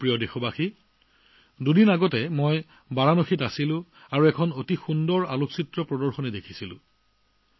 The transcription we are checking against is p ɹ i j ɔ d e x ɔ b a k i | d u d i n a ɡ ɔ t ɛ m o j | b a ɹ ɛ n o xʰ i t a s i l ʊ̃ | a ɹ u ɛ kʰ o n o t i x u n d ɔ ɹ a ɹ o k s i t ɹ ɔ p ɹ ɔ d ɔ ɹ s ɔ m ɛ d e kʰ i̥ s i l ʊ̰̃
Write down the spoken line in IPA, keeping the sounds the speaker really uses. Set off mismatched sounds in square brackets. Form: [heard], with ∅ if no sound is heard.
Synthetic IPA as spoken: p ɹ i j ɔ d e x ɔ b a [x] i | d u d i n a ɡ ɔ t ɛ m o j | b a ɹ [a] n o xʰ i t a s i l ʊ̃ | a ɹ u ɛ kʰ [ɔ] n o t i x u n d ɔ ɹ a [l] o k s i t ɹ ɔ p ɹ ɔ d ɔ ɹ [x] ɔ [n] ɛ d e kʰ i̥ s i l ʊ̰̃